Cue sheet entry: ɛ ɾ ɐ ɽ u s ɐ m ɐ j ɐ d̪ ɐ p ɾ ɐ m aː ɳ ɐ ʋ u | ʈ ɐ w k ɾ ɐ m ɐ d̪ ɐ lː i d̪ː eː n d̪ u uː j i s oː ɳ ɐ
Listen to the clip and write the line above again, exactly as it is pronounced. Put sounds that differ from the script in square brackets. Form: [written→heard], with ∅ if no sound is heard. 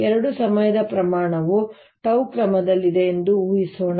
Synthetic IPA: ɛ ɾ ɐ ɽ u s ɐ m ɐ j ɐ d̪ ɐ p ɾ ɐ m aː ɳ ɐ ʋ u | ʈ ɐ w k ɾ ɐ m ɐ d̪ ɐ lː i [d̪ː→d̪] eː n d̪ u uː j i s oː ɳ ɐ